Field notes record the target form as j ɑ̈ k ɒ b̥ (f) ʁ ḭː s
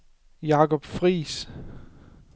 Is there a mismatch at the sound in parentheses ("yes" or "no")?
no